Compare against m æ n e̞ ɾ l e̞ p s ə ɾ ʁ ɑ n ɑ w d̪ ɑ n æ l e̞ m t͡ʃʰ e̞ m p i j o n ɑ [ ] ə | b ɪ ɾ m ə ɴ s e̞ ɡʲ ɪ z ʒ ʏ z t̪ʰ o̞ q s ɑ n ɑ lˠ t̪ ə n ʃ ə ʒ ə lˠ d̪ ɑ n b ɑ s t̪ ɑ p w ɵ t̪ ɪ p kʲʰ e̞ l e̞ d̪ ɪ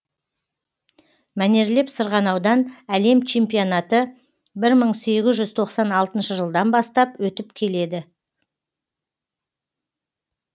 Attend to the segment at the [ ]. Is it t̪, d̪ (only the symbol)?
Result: t̪